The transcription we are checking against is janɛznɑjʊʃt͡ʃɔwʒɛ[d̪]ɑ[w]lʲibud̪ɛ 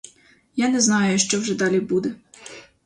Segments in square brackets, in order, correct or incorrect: correct, incorrect: none

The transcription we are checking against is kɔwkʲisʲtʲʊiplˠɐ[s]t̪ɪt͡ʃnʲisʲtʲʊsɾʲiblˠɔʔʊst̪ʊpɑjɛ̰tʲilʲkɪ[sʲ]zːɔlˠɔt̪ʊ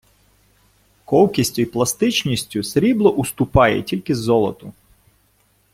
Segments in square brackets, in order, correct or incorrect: correct, incorrect: none

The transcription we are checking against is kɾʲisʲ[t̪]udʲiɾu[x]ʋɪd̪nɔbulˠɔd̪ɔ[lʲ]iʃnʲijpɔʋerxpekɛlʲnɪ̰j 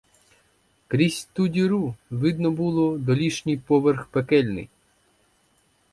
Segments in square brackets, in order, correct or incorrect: correct, incorrect: none, correct

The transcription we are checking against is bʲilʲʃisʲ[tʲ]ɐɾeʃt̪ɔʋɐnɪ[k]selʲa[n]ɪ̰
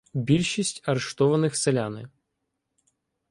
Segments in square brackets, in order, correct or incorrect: correct, incorrect: x, correct

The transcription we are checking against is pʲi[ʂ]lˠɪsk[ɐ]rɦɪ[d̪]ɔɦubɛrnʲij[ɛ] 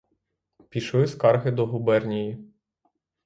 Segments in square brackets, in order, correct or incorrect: incorrect: ʃ, incorrect: ɑ, correct, incorrect: i

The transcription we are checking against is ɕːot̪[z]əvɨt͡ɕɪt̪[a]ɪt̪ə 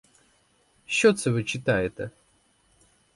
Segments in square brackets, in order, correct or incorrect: incorrect: s, correct

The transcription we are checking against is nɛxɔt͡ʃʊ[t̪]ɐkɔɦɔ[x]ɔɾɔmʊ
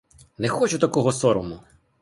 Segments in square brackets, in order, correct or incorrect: correct, incorrect: s

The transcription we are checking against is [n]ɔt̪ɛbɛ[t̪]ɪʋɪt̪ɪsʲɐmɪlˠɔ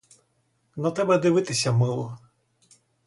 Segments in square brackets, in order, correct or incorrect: correct, incorrect: d̪

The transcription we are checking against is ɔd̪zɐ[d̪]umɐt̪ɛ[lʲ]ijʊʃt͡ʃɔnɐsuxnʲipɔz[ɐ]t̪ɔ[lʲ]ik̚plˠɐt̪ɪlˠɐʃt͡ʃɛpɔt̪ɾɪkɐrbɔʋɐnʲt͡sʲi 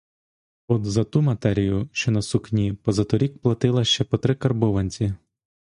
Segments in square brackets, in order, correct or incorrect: incorrect: t̪, incorrect: ɾʲ, correct, incorrect: ɾʲ

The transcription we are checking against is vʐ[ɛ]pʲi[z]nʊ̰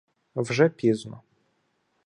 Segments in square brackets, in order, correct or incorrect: correct, correct

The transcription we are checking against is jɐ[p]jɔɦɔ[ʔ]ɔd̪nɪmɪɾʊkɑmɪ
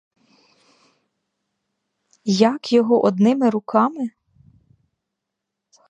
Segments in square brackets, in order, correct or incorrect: incorrect: k, correct

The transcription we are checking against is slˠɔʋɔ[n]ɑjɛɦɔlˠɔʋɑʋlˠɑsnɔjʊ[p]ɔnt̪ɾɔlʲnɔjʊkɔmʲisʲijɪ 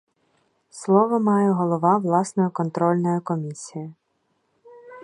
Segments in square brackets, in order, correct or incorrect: incorrect: m, incorrect: k

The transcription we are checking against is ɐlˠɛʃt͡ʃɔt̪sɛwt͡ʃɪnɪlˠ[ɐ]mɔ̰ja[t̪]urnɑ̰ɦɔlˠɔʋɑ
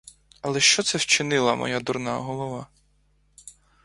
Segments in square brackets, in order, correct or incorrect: correct, incorrect: d̪

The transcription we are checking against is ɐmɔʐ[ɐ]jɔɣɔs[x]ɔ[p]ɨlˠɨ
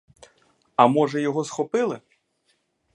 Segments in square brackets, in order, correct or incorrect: correct, correct, correct

